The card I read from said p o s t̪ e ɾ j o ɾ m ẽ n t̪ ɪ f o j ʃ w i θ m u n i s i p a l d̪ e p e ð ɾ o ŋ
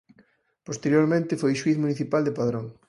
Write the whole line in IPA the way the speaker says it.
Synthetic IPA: p o s t̪ e ɾ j o ɾ m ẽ n t̪ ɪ f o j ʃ w i θ m u n i θ i p a l d̪ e p a ð ɾ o ŋ